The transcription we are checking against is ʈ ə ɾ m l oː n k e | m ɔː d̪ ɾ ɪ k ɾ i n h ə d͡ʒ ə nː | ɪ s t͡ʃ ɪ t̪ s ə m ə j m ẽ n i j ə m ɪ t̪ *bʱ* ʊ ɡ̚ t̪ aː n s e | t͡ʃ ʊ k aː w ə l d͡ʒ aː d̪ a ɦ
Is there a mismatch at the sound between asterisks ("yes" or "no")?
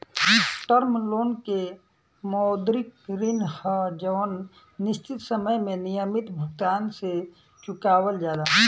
no